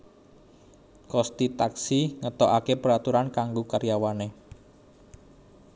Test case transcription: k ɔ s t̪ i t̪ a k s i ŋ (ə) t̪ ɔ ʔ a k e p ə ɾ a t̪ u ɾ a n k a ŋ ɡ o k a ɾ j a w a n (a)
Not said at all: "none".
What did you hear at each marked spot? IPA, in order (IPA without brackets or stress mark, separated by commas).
ə, e